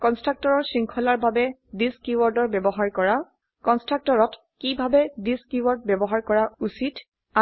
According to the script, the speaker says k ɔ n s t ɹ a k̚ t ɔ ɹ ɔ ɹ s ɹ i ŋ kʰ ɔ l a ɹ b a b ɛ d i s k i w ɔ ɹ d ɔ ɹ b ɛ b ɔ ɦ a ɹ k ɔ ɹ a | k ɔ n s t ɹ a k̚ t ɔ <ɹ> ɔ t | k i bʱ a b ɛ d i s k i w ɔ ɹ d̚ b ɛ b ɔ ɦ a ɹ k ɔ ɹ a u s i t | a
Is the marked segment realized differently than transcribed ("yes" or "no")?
no